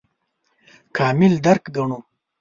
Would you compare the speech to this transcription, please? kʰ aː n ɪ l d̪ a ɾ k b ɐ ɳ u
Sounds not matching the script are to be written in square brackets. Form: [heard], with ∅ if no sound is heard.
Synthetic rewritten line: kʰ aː [m] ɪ l d̪ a ɾ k [ɡ] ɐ ɳ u